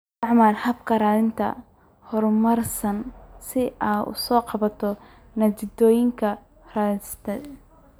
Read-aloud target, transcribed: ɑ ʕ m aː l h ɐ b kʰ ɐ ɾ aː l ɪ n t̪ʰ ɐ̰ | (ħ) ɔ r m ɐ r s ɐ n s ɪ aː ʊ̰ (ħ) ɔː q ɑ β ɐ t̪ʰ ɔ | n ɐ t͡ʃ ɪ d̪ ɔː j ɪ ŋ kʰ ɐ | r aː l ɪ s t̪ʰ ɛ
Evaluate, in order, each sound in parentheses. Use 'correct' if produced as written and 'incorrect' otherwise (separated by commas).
incorrect, incorrect